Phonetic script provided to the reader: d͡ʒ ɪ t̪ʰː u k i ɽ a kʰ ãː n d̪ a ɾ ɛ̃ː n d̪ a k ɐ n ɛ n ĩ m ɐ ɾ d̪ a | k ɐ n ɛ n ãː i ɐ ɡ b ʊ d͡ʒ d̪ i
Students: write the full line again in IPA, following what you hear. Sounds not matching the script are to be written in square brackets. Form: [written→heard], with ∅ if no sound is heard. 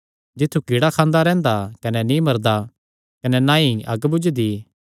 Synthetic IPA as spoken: d͡ʒ ɪ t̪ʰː u k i ɽ a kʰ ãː n d̪ a ɾ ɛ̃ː n d̪ a k ɐ n ɛ n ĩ m ɐ ɾ d̪ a | k ɐ n ɛ n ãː i ɐ ɡ b ʊ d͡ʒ d̪ i